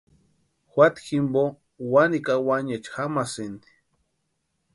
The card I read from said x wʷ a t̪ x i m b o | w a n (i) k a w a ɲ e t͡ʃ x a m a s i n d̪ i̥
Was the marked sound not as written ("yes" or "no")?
no